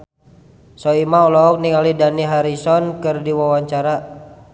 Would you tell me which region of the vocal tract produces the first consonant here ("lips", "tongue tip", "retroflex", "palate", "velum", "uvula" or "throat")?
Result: tongue tip